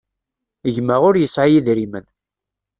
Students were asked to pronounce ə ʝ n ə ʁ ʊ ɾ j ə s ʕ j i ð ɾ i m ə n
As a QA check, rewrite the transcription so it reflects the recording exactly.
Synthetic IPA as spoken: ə ʝ m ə ʁ ʊ ɾ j ə s ʕ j i ð ɾ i m ə n